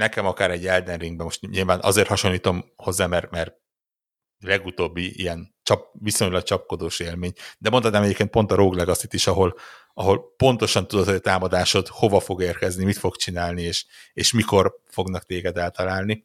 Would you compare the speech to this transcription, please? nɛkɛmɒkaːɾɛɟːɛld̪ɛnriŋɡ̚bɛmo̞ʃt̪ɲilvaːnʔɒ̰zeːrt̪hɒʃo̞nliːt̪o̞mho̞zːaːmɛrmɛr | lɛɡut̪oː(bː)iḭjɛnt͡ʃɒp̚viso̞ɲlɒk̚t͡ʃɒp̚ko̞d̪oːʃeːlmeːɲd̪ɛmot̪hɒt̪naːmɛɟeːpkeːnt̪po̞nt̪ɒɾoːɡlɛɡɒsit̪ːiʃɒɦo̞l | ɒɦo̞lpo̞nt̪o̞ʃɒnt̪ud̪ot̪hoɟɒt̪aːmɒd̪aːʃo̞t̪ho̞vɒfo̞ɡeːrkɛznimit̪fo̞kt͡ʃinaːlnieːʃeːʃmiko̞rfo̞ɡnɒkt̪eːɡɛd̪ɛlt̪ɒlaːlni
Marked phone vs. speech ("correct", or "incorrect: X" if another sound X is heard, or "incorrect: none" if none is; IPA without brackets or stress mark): correct